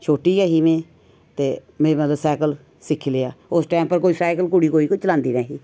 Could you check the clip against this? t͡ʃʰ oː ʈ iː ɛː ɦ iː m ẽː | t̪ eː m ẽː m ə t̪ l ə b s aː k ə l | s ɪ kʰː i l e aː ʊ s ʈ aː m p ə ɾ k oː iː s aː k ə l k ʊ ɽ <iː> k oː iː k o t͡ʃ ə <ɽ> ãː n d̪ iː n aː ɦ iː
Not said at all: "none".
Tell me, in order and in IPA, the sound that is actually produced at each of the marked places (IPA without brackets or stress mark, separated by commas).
iː, l